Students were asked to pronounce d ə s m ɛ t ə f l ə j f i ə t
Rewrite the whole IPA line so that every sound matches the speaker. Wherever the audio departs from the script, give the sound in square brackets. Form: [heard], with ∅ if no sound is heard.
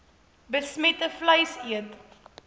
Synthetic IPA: [b] ə s m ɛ t ə f l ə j [s] i ə t